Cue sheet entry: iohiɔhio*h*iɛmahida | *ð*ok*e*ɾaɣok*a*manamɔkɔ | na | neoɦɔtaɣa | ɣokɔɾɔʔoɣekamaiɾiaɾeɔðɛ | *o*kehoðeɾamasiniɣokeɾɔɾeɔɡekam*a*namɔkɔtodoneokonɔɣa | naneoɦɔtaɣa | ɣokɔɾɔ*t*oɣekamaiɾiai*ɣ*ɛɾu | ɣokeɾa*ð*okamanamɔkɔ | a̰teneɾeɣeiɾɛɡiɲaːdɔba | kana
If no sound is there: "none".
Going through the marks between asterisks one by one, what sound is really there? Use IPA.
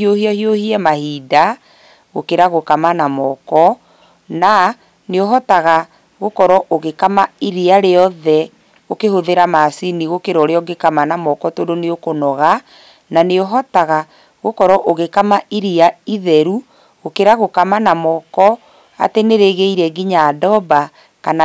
h, ɣ, e, a, o, a, ʔ, ð, ɣ

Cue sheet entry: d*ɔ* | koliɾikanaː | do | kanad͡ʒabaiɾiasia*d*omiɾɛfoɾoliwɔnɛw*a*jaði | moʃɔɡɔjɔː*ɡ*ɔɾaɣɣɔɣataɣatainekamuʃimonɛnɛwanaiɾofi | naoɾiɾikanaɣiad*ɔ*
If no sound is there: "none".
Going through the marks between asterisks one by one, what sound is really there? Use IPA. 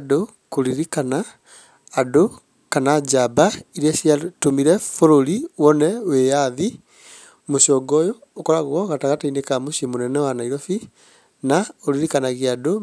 o, t, e, k, o

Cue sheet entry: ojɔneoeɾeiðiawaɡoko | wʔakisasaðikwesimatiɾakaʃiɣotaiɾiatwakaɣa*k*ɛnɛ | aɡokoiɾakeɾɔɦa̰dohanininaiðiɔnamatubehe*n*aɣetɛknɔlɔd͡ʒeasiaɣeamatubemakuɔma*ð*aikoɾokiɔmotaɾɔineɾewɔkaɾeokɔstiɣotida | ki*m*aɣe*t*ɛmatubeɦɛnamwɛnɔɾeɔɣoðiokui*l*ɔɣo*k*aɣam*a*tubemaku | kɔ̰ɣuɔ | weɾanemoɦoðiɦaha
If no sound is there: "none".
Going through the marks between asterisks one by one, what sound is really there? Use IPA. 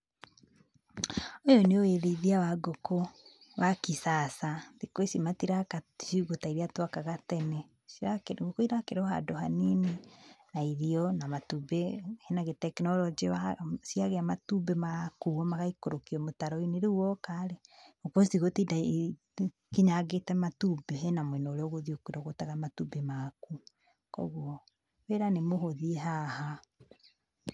t, n, ɣ, ɲ, t, ɾ, t, a

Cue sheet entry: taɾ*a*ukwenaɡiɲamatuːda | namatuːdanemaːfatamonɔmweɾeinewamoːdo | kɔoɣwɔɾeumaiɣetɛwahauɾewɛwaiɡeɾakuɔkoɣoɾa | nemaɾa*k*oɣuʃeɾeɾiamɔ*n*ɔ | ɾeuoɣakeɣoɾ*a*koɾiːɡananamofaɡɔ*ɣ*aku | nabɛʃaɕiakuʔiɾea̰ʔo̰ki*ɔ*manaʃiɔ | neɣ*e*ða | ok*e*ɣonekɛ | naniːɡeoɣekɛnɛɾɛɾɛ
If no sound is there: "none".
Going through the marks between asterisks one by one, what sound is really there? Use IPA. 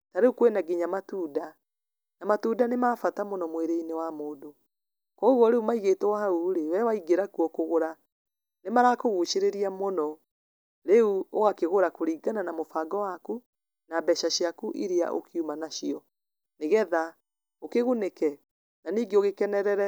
e, k, n, a, w, u, ɛ, e

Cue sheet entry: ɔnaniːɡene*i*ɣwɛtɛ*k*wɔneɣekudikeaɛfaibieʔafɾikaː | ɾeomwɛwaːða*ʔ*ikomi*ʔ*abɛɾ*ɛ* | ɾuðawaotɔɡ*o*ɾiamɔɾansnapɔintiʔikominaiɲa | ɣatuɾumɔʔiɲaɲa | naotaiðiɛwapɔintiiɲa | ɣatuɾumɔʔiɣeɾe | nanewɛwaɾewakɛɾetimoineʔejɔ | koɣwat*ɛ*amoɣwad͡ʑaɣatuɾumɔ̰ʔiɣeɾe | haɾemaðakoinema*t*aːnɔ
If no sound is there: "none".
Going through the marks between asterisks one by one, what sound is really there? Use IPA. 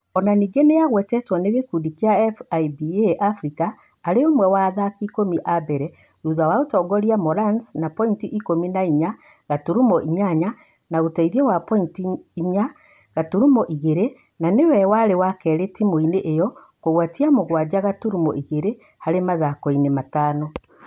a, t, k, ʔ, ɛ, ɔ, i, t

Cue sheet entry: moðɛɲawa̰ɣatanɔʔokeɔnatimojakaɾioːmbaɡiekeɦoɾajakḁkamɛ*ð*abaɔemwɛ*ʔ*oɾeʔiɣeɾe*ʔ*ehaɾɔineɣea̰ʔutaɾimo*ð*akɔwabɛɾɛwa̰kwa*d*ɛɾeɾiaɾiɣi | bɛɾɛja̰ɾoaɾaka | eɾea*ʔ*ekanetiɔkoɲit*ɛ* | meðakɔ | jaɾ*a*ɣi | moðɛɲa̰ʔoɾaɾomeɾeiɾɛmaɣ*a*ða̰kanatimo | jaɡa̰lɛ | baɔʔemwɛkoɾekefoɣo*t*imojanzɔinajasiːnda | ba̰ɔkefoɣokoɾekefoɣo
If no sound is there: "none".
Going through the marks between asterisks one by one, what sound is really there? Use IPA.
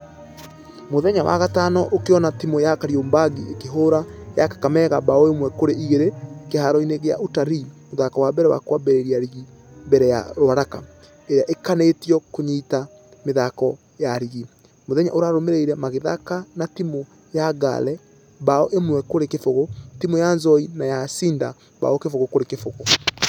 ɣ, k, k, ð, b, ʔ, a, i, e, t

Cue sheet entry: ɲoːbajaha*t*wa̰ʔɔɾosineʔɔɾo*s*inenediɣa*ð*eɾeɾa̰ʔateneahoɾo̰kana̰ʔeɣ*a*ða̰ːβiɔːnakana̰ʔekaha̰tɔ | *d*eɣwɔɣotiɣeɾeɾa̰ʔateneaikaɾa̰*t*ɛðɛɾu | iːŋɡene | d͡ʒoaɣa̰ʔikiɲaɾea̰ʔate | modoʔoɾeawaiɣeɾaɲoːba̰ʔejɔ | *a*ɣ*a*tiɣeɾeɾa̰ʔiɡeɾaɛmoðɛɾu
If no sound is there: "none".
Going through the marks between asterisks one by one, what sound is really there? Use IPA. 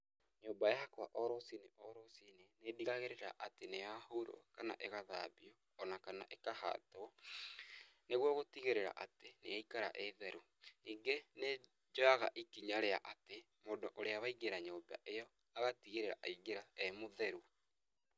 k, s, ɣ, a, n, ʔ, a, a

